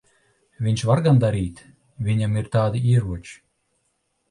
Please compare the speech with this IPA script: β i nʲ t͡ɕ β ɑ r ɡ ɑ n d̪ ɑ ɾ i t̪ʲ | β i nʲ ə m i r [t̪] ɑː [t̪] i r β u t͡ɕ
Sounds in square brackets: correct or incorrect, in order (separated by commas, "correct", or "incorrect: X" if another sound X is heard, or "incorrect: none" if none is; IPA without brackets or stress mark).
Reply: correct, incorrect: d̪